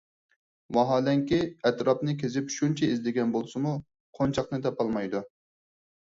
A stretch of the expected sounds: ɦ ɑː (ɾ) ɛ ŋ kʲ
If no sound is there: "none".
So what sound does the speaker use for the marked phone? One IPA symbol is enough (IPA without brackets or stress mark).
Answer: l